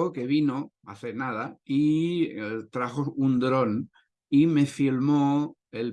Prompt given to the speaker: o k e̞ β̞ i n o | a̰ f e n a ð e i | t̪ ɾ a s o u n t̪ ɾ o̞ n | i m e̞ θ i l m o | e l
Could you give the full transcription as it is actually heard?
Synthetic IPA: o k e̞ β̞ i n o | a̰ θ e n a ð a i | t̪ ɾ a x o u n d̪ ɾ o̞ n | i m e̞ f i l m o | e l

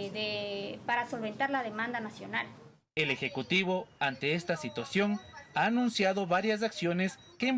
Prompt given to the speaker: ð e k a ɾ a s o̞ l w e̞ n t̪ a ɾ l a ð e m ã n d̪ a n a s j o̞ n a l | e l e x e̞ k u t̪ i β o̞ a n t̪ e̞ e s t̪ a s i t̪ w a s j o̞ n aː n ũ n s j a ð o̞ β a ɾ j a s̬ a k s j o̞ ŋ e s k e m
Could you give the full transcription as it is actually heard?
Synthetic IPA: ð e p a ɾ a s o̞ l β e̞ n t̪ a ɾ l a ð e m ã n d̪ a n a s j o̞ n a l | e l e x e̞ k u t̪ i β o̞ a n t̪ e̞ e s t̪ a s i t̪ w a s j o̞ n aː n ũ n s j a ð o̞ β a ɾ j a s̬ a k s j o̞ n e s k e m

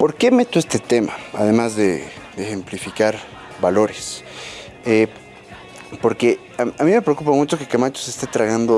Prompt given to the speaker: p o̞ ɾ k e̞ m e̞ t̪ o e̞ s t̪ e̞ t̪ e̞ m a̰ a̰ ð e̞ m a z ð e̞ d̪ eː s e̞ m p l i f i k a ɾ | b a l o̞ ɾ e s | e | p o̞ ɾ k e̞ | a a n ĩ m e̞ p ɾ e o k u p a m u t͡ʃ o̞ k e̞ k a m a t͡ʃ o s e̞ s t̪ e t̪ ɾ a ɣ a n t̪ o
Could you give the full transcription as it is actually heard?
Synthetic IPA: p o̞ ɾ k e̞ m e̞ t̪ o e̞ s t̪ e̞ t̪ e̞ m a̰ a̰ ð e̞ m a z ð e̞ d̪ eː x e̞ m p l i f i k a ɾ | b a l o̞ ɾ e s | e | p o̞ ɾ k e̞ | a a m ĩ m e̞ p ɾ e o k u p a m u t͡ʃ o̞ k e̞ k a m a t͡ʃ o s e̞ s t̪ e t̪ ɾ a ɣ a n d̪ o

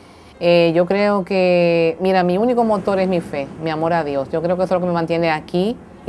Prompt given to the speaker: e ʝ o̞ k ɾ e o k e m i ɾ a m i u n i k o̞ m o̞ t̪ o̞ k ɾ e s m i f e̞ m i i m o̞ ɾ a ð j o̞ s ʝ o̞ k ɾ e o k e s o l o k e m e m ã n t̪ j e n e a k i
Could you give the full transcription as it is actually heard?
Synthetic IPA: e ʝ o̞ k ɾ e o k e m i ɾ a m i u n i k o̞ m o̞ t̪ o̞ ɾ e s m i f e̞ m i a m o̞ ɾ a ð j o̞ s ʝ o̞ k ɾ e o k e s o l o k e m e m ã n t̪ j e n e a k i

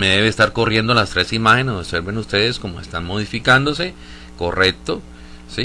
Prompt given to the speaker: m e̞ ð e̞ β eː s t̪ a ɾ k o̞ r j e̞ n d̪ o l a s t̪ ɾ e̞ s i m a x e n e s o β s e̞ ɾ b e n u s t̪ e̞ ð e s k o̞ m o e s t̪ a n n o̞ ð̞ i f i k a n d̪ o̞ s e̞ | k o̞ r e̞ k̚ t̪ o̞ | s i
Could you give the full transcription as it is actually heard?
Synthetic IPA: m e̞ ð e̞ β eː s t̪ a ɾ k o̞ r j e̞ n d̪ o l a s t̪ ɾ e̞ s i m a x e n e s o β s e̞ ɾ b e n u s t̪ e̞ ð e s k o̞ m o e s t̪ a n m o̞ ð̞ i f i k a n d̪ o̞ s e̞ | k o̞ r e̞ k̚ t̪ o̞ | s i

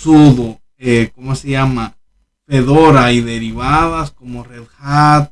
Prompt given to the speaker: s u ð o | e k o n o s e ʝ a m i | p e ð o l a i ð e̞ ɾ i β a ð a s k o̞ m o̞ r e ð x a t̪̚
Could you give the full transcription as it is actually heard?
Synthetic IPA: s u ð o | e k o m o s e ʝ a m a | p e ð o ɾ a i ð e̞ ɾ i β a ð a s k o̞ m o̞ r e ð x a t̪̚

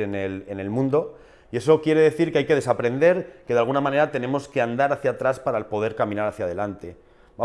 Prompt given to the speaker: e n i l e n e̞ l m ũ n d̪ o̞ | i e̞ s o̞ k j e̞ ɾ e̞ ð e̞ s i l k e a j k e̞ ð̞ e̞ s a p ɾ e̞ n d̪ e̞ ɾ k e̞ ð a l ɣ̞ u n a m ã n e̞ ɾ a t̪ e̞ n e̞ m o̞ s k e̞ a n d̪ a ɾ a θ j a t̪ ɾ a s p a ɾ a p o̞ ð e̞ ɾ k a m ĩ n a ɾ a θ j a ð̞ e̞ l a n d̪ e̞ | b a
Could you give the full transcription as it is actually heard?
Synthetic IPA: e n e l e n e̞ l m ũ n d̪ o̞ | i e̞ s o̞ k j e̞ ɾ e̞ ð e̞ θ i ɾ k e a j k e̞ ð̞ e̞ s a p ɾ e̞ n d̪ e̞ ɾ k e̞ ð a l ɣ̞ u n a m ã n e̞ ɾ a t̪ e̞ n e̞ m o̞ s k e̞ a n d̪ a ɾ a θ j a t̪ ɾ a s p a ɾ a p o̞ ð e̞ ɾ k a m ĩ n a ɾ a θ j a ð̞ e̞ l a n t̪ e̞ | b a

